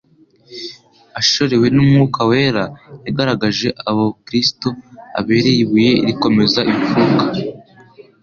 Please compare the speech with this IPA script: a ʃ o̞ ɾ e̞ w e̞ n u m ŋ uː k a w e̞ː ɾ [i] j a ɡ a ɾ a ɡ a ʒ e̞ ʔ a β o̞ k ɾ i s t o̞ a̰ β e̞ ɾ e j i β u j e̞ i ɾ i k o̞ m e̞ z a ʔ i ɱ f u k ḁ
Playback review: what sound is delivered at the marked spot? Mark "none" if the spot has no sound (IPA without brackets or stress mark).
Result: a